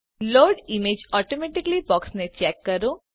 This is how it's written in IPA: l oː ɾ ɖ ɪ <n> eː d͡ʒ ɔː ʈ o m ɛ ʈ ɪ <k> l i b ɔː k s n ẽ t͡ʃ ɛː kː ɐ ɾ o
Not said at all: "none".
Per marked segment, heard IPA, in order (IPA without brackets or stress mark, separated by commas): m, k